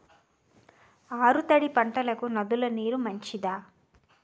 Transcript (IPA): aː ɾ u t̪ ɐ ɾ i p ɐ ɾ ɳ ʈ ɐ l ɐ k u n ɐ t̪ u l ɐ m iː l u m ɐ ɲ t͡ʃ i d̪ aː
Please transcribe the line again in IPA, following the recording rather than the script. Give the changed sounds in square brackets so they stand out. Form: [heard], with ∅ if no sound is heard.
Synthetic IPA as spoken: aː ɾ u t̪ ɐ [ɽ] i p ɐ [∅] ɳ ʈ ɐ l ɐ k u n ɐ [d̪] u l ɐ [n] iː [ɾ] u m ɐ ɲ t͡ʃ i d̪ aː